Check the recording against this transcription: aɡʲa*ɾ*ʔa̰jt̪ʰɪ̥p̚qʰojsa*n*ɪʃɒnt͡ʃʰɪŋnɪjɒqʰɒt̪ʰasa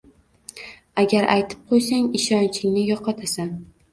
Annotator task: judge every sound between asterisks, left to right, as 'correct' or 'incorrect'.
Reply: correct, incorrect: ŋ

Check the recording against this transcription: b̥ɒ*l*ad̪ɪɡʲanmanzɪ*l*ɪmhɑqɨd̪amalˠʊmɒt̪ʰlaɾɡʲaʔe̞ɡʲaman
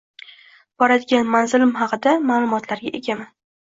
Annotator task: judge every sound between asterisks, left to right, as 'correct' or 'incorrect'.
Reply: incorrect: ɾ, correct

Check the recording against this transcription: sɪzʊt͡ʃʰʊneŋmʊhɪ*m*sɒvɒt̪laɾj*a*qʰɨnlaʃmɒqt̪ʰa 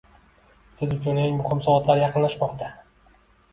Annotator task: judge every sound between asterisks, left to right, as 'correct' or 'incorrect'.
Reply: correct, incorrect: ɑ

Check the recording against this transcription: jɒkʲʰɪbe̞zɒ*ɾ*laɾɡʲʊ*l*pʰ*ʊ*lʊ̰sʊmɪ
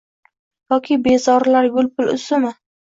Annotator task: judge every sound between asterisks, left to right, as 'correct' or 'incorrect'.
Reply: correct, correct, correct

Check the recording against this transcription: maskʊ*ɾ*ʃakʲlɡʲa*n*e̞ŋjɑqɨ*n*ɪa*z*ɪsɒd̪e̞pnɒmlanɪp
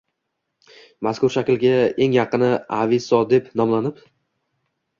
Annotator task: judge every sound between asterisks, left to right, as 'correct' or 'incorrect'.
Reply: correct, incorrect: none, correct, incorrect: v

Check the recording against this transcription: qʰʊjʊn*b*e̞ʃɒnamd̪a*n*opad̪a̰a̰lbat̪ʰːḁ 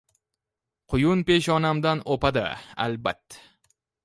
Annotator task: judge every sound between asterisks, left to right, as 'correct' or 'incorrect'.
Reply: incorrect: p, correct

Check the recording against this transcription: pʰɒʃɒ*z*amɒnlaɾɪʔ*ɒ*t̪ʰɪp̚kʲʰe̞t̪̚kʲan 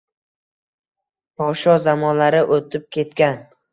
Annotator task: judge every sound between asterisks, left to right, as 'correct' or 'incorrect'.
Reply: correct, incorrect: o

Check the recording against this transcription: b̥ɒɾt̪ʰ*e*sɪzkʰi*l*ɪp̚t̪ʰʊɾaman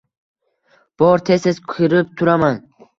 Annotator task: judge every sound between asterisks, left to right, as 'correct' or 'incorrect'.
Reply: correct, incorrect: ɾ

